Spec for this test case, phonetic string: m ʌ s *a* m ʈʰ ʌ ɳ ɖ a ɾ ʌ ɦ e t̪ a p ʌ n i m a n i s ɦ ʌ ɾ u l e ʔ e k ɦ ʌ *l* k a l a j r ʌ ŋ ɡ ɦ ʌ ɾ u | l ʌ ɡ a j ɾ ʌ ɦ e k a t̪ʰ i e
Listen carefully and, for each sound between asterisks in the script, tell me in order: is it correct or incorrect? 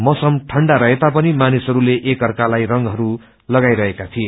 incorrect, incorrect

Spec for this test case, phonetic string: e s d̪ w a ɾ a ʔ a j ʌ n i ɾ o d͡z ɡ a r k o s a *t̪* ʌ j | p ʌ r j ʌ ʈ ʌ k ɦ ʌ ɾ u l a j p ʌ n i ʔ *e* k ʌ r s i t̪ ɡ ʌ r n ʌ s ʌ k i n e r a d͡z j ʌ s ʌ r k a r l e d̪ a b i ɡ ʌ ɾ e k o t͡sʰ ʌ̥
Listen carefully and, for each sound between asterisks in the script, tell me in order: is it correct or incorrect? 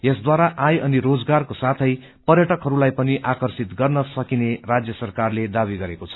incorrect, incorrect

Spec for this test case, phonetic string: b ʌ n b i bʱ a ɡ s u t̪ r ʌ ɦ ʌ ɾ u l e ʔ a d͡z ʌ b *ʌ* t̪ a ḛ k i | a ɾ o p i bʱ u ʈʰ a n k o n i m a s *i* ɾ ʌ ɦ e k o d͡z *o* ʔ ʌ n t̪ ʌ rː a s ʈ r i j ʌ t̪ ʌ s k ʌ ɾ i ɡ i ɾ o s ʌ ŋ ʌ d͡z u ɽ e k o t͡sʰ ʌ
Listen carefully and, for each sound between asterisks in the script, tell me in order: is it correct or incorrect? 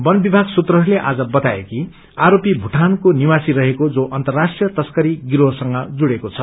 correct, correct, correct

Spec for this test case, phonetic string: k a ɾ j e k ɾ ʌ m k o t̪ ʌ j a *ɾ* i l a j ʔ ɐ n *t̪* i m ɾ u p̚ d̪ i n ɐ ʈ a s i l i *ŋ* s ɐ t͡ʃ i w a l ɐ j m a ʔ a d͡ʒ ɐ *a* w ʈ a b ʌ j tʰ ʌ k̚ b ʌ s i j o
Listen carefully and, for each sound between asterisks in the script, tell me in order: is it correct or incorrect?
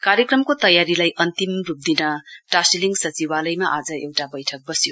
correct, correct, correct, incorrect

